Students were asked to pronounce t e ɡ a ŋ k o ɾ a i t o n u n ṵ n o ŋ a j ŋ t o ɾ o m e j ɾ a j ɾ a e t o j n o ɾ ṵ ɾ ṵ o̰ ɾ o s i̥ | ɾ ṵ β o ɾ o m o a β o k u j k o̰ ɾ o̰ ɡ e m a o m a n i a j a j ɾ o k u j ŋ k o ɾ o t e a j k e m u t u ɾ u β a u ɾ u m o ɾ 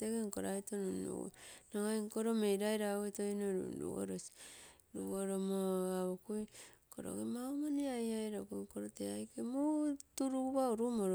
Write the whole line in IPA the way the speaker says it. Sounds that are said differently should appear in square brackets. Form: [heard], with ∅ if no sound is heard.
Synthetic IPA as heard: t e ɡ [e] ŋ k o ɾ a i t o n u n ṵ n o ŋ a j ŋ [k] o ɾ o m e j ɾ a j ɾ a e t o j n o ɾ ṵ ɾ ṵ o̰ ɾ o s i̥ | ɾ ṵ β o ɾ o m o a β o k u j k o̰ ɾ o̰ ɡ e m a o m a n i a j a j ɾ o k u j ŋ k o ɾ o t e a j k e m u t u ɾ u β a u ɾ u m o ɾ